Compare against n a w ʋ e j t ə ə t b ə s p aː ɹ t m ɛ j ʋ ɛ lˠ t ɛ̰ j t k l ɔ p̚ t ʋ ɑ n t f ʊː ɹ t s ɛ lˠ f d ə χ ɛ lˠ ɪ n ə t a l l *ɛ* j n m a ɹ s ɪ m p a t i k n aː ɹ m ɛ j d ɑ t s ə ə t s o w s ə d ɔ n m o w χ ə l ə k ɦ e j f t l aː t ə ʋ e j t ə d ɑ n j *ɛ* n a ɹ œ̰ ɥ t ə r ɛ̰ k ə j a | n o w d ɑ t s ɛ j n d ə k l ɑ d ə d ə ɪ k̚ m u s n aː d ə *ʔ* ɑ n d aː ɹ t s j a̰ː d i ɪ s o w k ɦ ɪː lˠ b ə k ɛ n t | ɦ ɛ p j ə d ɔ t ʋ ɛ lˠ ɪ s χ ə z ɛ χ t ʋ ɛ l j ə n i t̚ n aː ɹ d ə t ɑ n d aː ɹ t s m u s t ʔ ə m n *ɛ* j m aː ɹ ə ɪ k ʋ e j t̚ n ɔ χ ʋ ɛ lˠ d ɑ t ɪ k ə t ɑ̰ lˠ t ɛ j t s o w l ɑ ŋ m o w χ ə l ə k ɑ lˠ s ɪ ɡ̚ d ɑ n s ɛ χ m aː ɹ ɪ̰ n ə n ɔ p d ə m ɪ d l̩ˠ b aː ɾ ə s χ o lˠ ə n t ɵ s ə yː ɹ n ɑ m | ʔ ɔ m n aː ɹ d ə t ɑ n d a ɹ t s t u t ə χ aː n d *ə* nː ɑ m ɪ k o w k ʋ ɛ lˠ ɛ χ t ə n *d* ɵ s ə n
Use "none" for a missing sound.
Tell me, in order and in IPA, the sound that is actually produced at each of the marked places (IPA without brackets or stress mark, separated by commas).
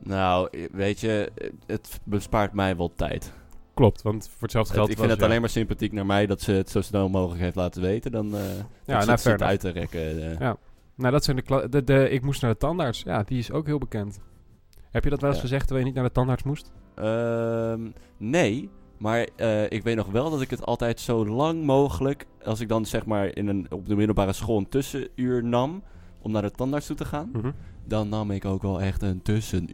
e, a, t, e, ɑ, t